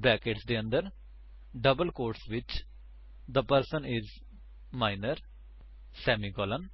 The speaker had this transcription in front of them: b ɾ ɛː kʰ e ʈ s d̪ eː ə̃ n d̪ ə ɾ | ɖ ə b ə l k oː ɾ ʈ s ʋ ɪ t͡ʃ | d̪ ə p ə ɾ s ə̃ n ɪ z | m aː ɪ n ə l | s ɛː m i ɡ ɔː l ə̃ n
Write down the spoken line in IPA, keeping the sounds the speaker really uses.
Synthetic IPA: b ɾ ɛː k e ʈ s d̪ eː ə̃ n d̪ ə ɾ | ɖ ə b ə l k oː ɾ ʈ s ʋ ɪ t͡ʃ | d̪ ə p ə ɾ s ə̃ n ɪ z | m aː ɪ n ə ɾ | s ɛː m i ɡ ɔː l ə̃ n